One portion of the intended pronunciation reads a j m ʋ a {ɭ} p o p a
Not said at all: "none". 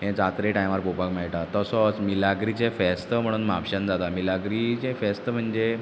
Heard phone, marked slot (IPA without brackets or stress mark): ɾ